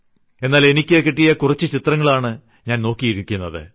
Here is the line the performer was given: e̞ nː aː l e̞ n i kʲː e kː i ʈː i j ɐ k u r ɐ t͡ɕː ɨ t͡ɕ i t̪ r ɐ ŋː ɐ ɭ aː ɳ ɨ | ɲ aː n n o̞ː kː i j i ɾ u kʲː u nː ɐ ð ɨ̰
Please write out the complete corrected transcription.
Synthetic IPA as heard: e̞ nː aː l e̞ n i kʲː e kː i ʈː i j ɐ k u r ɐ t͡ɕː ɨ t͡ɕ i t̪ r ɐ ŋː ɐ ɭ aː ɳ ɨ | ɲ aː n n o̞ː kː i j i ɾ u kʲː u nː ɐ ð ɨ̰